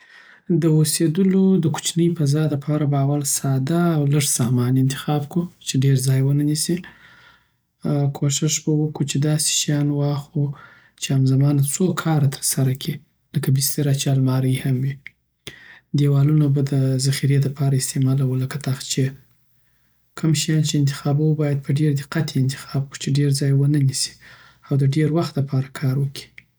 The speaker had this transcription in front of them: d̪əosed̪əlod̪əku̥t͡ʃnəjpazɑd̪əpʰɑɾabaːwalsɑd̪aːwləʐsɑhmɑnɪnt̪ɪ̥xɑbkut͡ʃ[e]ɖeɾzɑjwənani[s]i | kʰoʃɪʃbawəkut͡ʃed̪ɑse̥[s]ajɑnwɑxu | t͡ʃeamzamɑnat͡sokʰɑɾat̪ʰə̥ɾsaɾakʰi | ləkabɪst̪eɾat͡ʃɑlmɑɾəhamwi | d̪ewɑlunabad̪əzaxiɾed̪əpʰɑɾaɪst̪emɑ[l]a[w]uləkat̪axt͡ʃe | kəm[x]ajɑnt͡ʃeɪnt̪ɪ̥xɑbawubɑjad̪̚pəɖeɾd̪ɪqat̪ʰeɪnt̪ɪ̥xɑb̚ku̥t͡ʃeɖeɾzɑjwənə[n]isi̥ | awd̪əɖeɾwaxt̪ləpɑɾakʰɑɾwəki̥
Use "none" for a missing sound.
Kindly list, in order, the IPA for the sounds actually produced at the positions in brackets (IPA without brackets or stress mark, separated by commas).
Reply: e, s, ʃ, l, w, ʃ, n